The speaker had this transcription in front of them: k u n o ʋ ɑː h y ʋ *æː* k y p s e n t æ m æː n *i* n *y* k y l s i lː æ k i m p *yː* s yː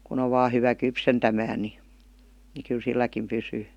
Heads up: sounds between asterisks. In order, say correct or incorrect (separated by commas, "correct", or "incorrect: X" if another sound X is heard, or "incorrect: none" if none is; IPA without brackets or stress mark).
incorrect: æ, correct, incorrect: i, incorrect: y